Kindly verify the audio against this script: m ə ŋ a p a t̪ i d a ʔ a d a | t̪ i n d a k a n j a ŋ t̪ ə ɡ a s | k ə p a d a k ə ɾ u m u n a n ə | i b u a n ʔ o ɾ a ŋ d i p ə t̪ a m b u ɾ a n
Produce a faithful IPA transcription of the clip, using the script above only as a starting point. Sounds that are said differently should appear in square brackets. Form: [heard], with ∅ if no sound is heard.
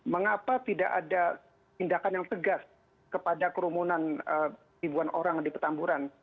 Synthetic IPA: m ə ŋ a p a t̪ i d a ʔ a d a | t̪ i n d a k a n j a ŋ t̪ ə ɡ a s | k ə p a d a k ə ɾ u m u n a n ə | i b u a n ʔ o ɾ a ŋ d i p ə t̪ a m b u ɾ a n